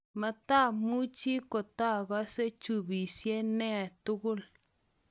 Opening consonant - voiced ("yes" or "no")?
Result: yes